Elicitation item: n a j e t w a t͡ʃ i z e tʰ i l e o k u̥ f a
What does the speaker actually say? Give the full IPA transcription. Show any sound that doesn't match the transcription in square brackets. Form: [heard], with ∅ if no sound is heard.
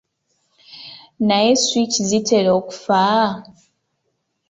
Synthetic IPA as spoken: n a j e [s] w [i] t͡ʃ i z [i] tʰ [e] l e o k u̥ f a